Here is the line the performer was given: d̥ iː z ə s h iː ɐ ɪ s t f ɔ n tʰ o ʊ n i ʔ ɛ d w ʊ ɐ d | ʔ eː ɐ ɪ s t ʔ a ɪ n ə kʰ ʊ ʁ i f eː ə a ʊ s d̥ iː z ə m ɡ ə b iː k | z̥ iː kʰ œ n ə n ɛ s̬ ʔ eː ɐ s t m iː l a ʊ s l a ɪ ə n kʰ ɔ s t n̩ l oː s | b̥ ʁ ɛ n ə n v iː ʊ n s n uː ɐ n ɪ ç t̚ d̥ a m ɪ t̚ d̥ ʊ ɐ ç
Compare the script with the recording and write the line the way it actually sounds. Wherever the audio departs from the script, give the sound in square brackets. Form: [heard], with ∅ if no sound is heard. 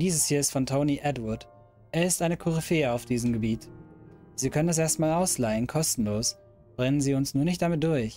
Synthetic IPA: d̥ iː z ə s h iː ɐ ɪ s t f ɔ n tʰ o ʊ n i ʔ ɛ d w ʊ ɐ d | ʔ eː ɐ ɪ s t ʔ a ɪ n ə kʰ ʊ ʁ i f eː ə a ʊ [f] d̥ iː z ə m ɡ ə b iː [t] | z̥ iː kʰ œ n ə n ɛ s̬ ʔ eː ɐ s t m [aː] l a ʊ s l a ɪ ə n kʰ ɔ s t n̩ l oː s | b̥ ʁ ɛ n ə n [z] iː ʊ n s n uː ɐ n ɪ ç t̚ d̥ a m ɪ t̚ d̥ ʊ ɐ ç